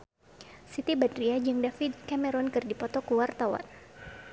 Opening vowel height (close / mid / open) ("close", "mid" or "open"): close